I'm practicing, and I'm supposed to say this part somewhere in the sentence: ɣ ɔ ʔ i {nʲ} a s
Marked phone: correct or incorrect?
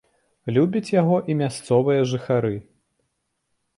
incorrect